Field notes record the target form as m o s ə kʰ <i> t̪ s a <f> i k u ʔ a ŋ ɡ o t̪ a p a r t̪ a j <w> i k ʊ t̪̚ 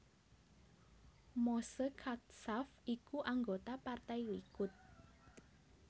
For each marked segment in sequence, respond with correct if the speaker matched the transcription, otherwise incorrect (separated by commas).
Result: incorrect, correct, correct